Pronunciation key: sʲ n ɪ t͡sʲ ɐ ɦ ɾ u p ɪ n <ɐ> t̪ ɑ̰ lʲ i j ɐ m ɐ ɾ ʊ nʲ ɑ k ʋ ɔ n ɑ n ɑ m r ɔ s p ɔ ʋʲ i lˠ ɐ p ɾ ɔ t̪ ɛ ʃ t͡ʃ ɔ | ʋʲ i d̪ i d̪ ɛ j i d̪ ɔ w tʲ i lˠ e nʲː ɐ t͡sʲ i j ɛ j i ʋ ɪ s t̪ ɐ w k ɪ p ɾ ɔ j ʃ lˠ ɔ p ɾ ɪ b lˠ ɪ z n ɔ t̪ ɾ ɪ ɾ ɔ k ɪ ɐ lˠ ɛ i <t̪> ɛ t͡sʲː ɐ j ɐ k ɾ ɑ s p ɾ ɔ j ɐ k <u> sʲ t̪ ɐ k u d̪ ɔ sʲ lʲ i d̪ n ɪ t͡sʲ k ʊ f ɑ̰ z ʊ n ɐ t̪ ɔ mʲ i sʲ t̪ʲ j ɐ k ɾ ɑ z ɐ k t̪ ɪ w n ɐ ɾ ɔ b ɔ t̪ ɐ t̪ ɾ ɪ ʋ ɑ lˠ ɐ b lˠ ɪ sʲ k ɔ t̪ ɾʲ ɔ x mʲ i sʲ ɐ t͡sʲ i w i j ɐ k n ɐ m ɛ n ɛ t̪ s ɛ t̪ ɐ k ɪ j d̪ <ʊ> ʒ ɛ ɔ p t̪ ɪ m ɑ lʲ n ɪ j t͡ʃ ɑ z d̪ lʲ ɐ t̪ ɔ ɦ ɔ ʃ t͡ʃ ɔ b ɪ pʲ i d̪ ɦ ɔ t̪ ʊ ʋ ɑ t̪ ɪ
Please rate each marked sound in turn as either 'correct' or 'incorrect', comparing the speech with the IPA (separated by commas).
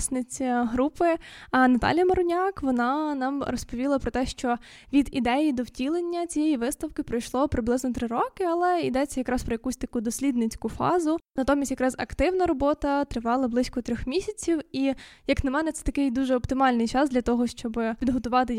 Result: correct, incorrect, correct, incorrect